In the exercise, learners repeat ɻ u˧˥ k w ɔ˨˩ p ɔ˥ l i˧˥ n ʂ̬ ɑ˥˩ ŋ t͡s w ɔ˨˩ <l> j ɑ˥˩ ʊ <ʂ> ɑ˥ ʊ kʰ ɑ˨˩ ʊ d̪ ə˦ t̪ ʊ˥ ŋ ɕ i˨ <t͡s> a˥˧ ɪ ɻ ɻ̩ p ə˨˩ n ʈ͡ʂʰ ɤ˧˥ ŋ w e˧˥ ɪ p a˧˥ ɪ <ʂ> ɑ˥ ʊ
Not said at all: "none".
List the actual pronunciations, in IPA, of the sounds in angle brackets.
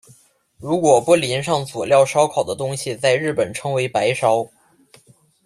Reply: l, ʂ, t͡s, ʂ

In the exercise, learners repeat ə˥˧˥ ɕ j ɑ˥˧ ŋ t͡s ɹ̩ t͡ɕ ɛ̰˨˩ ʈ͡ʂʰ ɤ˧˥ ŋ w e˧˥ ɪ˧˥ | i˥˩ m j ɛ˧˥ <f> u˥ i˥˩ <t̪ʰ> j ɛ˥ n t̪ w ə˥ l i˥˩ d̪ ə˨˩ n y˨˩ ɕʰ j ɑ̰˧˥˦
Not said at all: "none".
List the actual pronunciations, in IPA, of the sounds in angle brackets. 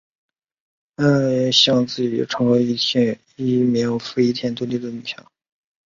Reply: f, t̪ʰ

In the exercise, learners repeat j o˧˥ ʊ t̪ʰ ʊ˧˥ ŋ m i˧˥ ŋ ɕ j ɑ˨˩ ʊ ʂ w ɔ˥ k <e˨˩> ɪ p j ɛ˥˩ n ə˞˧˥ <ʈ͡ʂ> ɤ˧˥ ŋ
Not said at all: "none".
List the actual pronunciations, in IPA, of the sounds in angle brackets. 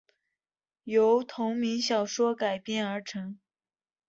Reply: a˨˩, ʈ͡ʂʰ

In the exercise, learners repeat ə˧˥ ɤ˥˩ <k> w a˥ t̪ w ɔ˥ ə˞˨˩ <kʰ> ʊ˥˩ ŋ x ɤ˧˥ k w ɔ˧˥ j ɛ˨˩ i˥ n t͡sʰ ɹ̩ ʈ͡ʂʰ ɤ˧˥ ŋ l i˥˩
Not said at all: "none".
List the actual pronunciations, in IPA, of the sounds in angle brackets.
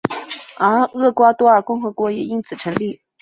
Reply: k, k

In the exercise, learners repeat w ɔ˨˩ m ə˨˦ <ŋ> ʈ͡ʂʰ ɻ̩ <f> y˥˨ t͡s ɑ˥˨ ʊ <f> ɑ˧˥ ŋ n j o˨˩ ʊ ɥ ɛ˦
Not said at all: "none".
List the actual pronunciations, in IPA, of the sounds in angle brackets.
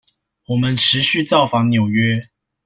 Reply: n, ɕ, f

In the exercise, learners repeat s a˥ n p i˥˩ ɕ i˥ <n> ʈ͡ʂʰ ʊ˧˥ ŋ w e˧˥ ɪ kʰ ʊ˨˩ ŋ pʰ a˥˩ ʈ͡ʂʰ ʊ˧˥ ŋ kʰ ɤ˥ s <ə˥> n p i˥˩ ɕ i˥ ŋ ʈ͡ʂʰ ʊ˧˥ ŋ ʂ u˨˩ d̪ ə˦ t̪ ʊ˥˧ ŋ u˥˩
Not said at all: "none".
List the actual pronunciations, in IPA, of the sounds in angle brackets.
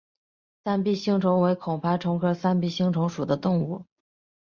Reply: ŋ, a˥

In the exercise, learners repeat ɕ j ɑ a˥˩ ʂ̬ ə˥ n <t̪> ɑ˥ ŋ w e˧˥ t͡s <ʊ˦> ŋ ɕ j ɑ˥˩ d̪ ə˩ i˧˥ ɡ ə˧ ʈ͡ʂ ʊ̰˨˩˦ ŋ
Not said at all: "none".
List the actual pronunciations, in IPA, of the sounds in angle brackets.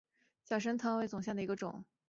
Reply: t̪ʰ, ʊ˨˩

